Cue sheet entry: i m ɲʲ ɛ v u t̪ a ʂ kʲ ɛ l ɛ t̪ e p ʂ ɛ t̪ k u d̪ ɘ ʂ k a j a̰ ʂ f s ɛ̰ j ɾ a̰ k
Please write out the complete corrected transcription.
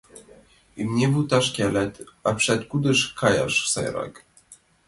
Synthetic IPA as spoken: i m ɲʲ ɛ v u t̪ a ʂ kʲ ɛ l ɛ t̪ a p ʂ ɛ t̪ k u d̪ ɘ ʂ k a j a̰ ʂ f s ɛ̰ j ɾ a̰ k